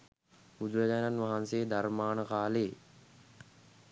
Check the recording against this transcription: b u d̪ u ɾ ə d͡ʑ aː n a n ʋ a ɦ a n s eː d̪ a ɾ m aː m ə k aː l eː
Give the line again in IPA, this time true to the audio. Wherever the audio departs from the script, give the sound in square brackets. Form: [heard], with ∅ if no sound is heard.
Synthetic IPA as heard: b u d̪ u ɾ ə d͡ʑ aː n a n ʋ a ɦ a n s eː d̪ a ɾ m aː [n] ə k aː l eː